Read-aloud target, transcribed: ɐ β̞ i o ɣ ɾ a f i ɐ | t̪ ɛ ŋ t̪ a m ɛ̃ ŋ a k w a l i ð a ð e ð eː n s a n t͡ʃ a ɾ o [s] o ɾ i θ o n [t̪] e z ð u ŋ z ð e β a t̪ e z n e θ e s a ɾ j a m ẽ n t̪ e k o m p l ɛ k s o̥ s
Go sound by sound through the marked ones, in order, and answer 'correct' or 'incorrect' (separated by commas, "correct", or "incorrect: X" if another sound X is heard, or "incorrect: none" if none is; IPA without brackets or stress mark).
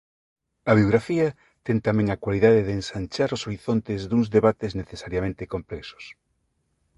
correct, correct